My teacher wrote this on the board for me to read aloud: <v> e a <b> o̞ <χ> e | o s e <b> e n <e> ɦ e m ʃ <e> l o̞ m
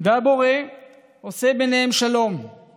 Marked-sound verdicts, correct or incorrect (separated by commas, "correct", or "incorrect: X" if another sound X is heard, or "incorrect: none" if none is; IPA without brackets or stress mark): correct, correct, incorrect: ʁ, correct, correct, incorrect: a